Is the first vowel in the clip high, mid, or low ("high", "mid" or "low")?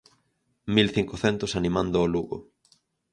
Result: high